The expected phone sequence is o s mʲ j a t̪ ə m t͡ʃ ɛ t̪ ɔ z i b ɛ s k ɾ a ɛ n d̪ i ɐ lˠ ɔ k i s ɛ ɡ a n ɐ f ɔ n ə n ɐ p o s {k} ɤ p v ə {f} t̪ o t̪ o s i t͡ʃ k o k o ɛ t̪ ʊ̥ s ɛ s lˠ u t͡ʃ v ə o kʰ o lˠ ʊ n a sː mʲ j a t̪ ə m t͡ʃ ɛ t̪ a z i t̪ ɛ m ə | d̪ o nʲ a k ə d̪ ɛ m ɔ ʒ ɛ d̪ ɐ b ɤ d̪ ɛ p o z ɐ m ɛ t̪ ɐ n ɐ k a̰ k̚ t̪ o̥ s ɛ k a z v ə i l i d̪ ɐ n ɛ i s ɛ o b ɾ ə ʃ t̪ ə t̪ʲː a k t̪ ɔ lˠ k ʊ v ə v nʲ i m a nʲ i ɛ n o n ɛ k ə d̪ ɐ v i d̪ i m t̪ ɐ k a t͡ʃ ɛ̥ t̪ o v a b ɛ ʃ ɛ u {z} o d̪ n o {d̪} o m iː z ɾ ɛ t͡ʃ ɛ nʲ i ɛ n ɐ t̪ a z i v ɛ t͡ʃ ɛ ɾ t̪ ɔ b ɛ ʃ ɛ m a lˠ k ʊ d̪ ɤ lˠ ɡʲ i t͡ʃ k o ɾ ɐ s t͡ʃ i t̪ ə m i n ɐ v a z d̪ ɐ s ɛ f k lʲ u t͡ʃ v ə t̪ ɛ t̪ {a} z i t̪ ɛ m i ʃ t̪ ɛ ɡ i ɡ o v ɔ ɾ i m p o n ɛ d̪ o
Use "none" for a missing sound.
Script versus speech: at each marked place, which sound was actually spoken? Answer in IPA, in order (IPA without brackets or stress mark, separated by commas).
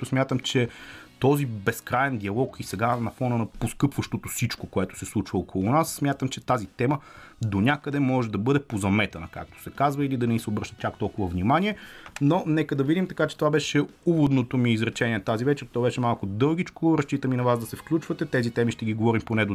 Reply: k, ʃ, v, t̪, ɛ